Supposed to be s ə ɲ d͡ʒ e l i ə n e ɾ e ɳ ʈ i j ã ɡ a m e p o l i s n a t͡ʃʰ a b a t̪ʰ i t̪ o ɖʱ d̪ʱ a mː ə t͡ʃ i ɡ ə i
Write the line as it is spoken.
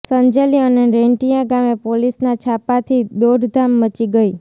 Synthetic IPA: s ə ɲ d͡ʒ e l i ə n e ɾ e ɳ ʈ i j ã ɡ a m e p o l i s n a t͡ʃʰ a p a t̪ʰ i d̪ o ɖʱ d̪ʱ a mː ə t͡ʃ i ɡ ə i